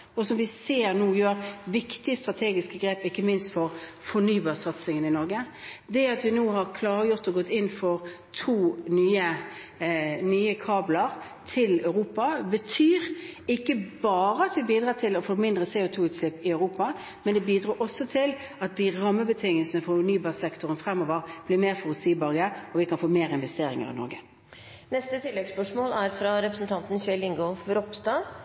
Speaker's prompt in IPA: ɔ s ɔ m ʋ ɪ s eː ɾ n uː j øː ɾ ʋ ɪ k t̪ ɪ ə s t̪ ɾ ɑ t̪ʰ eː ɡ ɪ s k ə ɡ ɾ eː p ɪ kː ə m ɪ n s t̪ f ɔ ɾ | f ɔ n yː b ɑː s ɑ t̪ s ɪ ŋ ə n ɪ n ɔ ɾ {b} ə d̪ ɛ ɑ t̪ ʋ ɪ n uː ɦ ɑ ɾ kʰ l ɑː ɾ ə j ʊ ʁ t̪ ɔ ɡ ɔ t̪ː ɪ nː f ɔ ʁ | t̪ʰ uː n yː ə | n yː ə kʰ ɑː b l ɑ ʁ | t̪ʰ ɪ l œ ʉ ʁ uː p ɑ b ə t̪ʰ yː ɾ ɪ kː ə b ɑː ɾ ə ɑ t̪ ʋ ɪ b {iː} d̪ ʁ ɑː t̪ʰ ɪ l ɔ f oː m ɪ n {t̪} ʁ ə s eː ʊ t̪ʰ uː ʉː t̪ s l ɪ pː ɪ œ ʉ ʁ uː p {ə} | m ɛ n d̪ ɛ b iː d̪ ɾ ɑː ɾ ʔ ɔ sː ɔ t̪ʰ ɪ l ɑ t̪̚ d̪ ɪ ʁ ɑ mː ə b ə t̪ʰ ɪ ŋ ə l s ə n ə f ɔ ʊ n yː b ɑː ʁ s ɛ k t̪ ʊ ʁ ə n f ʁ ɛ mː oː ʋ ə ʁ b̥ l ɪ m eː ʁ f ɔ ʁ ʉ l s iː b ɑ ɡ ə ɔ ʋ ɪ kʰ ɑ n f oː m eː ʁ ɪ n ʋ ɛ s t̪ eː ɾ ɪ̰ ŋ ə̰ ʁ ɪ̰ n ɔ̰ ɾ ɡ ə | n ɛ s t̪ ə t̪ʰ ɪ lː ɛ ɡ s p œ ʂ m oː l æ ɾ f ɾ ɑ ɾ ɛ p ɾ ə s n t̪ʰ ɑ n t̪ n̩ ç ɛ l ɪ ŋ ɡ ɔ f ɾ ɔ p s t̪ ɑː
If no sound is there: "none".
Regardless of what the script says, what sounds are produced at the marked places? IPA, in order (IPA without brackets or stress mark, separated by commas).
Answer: ɡ, iː, d̪, ɑ